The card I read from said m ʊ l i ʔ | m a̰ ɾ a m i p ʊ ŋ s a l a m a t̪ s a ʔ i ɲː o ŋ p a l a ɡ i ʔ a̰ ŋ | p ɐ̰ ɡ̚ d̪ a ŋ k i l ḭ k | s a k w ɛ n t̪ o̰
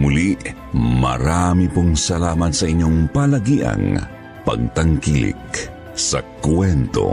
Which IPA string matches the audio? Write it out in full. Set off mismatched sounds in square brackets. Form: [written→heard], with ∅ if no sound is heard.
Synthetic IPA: m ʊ l i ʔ | m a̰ ɾ a m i p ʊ ŋ s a l a m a t̪ s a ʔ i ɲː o ŋ p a l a ɡ i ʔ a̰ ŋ | p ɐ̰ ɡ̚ [d̪→t̪] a ŋ k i l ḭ k | s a k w ɛ n t̪ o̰